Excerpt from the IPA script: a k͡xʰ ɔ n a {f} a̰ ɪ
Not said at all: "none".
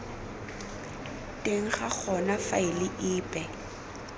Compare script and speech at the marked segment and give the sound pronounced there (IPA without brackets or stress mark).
f